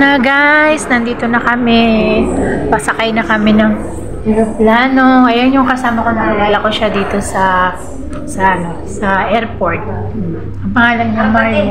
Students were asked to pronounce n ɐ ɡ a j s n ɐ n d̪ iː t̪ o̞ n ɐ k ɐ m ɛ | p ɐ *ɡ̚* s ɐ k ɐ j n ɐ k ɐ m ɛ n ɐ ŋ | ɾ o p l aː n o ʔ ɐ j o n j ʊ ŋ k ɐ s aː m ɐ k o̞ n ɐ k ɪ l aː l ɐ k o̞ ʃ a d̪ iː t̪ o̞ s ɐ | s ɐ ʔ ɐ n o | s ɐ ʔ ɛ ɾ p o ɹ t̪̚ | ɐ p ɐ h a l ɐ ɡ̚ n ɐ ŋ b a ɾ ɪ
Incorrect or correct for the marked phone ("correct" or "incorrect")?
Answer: incorrect